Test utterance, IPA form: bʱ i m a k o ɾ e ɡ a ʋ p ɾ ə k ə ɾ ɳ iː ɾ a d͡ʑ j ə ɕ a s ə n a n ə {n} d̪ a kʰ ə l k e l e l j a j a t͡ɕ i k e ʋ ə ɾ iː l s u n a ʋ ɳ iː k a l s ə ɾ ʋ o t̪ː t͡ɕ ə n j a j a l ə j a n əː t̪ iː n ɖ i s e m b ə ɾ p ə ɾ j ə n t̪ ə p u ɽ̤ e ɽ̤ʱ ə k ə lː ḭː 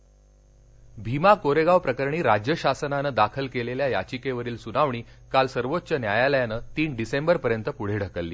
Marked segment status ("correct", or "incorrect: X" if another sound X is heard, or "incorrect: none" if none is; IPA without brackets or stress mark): incorrect: none